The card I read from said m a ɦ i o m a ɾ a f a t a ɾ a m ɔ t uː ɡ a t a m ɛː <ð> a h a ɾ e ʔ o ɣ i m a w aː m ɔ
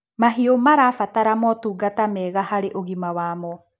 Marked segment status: incorrect: ɣ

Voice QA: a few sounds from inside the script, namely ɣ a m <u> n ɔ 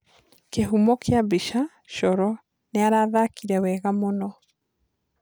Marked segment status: incorrect: o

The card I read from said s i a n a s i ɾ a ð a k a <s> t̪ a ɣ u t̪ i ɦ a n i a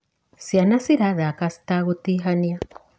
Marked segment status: correct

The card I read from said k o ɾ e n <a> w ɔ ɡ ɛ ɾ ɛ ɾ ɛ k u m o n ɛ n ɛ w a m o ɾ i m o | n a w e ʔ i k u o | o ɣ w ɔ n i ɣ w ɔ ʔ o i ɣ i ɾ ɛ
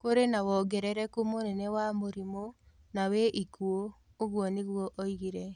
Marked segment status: correct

